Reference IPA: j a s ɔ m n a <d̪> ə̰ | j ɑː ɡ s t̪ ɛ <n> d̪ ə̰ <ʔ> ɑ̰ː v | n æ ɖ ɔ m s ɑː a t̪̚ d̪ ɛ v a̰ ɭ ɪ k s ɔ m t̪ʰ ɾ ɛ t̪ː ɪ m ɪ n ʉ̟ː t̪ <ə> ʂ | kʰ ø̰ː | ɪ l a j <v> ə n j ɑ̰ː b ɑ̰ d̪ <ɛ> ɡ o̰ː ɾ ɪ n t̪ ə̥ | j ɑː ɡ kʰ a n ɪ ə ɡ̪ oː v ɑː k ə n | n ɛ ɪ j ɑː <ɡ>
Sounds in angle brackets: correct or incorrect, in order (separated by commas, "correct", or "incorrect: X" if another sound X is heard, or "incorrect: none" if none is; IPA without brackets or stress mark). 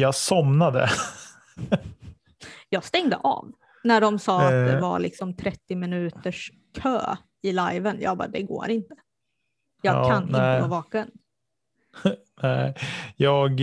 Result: correct, incorrect: ŋ, correct, correct, correct, correct, correct